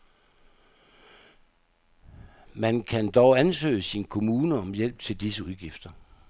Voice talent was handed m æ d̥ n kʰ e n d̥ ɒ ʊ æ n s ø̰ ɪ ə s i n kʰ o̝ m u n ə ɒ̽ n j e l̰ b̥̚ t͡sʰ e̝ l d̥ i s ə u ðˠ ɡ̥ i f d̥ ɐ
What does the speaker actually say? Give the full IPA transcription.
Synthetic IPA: m æ n kʰ æ n d̥ ɒ ʊ æ n s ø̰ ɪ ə s i n kʰ o̝ m uː n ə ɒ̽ m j e l̰ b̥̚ t͡sʰ e̝ l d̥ i s ə u ðˠ ɡ̥ i f d̥ ɐ